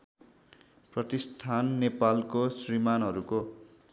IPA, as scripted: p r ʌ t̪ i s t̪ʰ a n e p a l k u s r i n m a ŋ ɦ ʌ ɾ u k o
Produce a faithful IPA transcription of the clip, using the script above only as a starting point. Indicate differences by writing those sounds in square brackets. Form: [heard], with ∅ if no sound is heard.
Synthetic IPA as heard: p r ʌ t̪ i s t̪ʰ a [nː] e p a l k [o] s r i [∅] m a [n] ɦ ʌ ɾ u k o